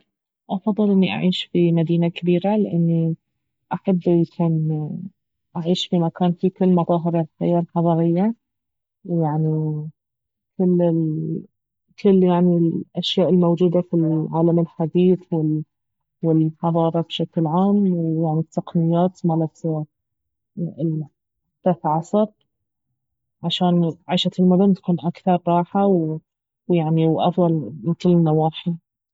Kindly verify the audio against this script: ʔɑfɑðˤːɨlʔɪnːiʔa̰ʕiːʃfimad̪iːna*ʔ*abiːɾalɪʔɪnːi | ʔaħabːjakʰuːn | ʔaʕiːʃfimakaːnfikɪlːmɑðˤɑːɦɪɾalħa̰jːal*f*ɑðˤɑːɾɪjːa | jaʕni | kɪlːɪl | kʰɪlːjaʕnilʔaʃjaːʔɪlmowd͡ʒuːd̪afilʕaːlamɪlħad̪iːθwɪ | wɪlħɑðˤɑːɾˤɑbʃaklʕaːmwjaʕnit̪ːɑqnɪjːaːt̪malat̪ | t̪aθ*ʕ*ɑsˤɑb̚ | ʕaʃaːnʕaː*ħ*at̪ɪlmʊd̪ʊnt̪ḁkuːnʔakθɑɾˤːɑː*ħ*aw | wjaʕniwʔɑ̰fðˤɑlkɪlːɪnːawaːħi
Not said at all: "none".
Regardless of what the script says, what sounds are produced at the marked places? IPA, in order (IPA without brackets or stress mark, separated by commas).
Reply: k, ħ, ʕ, ʃ, ħ